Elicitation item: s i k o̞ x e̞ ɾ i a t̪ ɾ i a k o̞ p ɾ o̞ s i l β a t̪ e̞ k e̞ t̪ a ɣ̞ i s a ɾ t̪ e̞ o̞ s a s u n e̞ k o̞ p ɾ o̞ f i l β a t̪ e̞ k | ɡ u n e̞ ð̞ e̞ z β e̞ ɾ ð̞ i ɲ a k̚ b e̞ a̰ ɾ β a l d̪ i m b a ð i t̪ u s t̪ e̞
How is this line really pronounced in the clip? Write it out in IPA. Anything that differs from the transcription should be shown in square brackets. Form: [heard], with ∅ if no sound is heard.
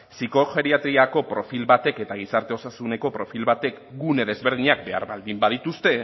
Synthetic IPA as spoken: s i k o̞ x e̞ ɾ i a t̪ ɾ i a k o̞ p ɾ o̞ [f] i l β a t̪ e̞ k e̞ t̪ a ɣ̞ i s a ɾ t̪ e̞ o̞ s a s u n e̞ k o̞ p ɾ o̞ f i l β a t̪ e̞ k | ɡ u n e̞ ð̞ e̞ z β e̞ ɾ ð̞ i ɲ a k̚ b e̞ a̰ ɾ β a l d̪ i m b a ð i t̪ u s t̪ e̞